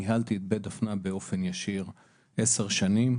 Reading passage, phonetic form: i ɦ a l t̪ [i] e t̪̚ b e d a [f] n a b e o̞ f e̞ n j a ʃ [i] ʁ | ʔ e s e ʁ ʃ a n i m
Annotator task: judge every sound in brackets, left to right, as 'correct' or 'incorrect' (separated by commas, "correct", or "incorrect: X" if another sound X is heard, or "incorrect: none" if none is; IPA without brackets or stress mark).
correct, correct, correct